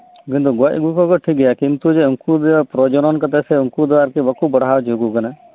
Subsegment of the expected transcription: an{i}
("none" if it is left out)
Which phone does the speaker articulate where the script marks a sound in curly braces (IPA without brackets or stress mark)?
a